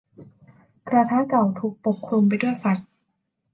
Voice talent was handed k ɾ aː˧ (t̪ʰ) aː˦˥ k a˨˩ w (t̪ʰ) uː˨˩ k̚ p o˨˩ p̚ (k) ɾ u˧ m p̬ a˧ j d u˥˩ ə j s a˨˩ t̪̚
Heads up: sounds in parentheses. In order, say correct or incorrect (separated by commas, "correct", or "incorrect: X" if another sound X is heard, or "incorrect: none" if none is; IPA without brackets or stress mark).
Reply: correct, correct, incorrect: kʰ